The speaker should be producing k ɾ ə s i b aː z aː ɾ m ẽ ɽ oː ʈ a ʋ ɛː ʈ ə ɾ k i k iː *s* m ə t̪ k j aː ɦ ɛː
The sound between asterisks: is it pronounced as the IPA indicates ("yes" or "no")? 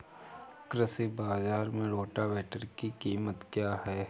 no